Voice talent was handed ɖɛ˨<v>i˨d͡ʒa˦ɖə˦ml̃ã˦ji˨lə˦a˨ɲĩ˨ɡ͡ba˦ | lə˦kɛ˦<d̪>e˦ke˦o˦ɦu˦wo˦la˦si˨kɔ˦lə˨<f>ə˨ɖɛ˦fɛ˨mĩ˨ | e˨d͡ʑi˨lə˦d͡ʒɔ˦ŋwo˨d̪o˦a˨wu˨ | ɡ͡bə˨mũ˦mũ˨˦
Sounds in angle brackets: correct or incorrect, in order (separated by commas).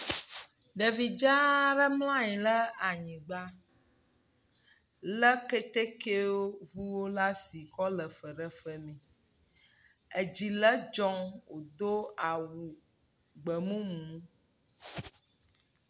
correct, incorrect, correct